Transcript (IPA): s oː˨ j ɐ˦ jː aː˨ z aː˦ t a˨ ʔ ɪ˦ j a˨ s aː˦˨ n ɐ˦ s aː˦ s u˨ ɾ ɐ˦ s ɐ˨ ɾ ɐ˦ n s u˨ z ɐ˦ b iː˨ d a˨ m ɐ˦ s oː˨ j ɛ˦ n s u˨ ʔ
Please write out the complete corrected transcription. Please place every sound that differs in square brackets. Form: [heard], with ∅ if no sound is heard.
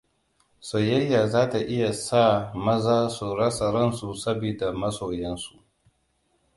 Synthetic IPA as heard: s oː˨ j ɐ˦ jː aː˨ z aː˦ t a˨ ʔ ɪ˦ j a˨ s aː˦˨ [m] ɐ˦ [z] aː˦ s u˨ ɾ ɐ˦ s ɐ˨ ɾ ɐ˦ n s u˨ [s] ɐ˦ b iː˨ d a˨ m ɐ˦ s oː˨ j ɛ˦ n s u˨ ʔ